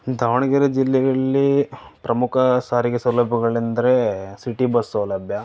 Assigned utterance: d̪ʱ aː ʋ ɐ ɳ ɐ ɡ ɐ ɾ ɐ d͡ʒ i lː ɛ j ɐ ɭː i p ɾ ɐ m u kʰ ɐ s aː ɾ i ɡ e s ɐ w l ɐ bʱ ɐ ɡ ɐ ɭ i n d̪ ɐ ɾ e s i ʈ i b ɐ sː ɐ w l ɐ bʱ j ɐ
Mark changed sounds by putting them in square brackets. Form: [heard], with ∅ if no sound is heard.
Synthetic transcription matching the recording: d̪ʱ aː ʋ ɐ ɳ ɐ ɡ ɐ ɾ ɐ d͡ʒ i lː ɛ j ɐ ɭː i p ɾ ɐ m u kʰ ɐ s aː ɾ i ɡ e s ɐ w l ɐ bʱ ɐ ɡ ɐ ɭ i n d̪ ɐ ɾ e s i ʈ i b ɐ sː ɐ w l ɐ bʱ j ɐ